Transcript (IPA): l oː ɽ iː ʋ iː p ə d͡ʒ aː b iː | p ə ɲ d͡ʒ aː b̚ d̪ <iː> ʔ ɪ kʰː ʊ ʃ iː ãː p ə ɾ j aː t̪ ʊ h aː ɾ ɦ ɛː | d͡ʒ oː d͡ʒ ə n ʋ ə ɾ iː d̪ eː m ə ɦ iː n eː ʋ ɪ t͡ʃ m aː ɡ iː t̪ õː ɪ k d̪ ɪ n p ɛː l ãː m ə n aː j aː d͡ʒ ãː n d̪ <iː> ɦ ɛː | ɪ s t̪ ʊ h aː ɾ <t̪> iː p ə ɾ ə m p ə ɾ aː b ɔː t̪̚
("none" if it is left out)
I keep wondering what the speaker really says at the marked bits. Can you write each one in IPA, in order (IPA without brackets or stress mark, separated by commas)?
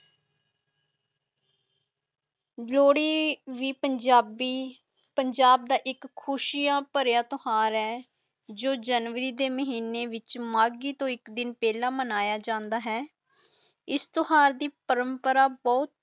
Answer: aː, aː, d̪